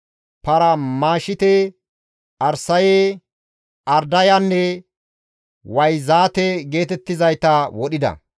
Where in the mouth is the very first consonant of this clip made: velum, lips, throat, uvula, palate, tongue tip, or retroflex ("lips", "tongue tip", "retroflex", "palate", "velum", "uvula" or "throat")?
lips